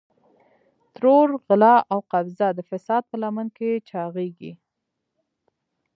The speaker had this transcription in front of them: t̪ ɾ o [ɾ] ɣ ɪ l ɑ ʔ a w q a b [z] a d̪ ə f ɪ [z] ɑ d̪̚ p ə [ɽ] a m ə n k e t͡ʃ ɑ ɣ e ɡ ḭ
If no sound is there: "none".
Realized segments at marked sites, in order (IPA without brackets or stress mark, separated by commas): ɾ, z, s, l